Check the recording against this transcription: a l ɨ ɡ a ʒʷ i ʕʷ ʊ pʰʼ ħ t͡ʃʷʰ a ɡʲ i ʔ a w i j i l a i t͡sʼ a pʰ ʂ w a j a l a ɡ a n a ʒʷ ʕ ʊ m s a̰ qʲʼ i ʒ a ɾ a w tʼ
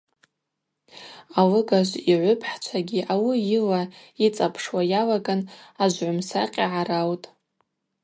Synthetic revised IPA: a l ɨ ɡ a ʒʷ i ʕʷ ʊ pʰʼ ħ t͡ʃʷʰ a ɡʲ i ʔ a w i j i l a i t͡sʼ a pʰ ʂ w a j a l a ɡ a n a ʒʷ ʕ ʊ m s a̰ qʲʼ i ʕ a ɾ a w tʼ

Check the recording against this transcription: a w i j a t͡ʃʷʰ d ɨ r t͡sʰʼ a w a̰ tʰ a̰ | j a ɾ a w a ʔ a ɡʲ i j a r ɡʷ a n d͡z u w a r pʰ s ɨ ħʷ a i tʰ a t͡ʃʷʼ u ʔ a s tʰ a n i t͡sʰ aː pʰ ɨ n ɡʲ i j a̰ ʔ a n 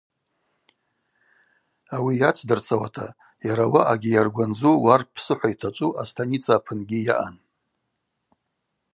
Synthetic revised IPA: a w i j a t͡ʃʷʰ d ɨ r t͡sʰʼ a w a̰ tʰ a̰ | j a ɾ a w a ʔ a ɡʲ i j a r ɡʷ a n d͡z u w a r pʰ s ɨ ħʷ a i tʰ a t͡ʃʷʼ u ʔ a s tʰ a n i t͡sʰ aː pʰ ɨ n ɡʲ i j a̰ ʔ a n

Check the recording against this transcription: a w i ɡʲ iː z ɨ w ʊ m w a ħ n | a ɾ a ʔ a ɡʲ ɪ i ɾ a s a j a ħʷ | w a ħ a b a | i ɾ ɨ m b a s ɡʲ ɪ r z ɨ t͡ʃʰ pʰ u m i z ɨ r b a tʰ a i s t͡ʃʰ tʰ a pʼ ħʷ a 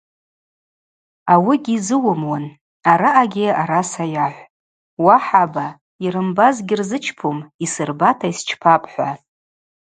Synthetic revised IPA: a w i ɡʲ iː z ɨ w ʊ m w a n | a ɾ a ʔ a ɡʲ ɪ a ɾ a s a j a ħʷ | w a ħ a b a | i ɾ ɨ m b a z ɡʲ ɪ r z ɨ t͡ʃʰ pʰ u m i s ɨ r b a tʰ a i s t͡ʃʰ pʰ a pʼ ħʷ a

